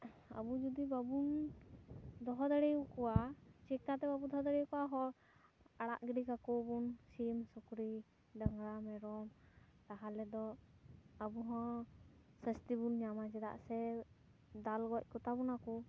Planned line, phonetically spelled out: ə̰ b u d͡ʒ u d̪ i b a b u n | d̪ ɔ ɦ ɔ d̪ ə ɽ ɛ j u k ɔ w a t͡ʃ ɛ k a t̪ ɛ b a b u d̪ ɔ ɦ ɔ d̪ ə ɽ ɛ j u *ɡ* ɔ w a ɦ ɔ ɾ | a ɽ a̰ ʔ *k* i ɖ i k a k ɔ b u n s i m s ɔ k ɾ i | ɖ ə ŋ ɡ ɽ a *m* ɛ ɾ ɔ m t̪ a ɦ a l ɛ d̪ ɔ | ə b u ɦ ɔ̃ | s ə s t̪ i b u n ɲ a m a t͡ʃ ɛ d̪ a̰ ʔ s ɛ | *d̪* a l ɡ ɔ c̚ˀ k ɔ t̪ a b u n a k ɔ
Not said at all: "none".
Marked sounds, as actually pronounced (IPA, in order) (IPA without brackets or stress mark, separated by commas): k, ɡ, m, d̪